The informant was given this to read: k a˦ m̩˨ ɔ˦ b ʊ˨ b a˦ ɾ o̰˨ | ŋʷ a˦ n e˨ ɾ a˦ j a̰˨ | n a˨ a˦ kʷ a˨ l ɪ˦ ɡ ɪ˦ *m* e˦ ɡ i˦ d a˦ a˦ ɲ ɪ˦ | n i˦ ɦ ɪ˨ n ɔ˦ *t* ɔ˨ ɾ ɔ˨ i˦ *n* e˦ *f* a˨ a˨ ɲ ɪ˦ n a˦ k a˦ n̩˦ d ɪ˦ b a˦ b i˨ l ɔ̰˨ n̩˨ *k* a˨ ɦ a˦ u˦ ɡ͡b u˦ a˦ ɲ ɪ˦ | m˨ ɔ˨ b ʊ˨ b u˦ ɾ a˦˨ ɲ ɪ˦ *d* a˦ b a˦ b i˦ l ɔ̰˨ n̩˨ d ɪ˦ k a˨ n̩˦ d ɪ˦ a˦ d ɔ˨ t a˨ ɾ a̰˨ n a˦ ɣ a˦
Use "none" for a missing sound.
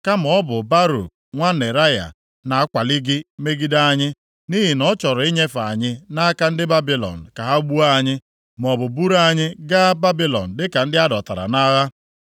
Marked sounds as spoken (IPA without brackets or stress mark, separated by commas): m, t͡ʃ, ɲ, f, k, ɡ